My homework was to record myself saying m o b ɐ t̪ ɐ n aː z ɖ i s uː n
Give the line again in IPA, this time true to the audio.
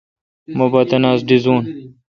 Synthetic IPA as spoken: m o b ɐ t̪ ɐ n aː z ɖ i z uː n